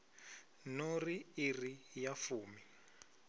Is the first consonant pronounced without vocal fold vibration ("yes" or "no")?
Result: no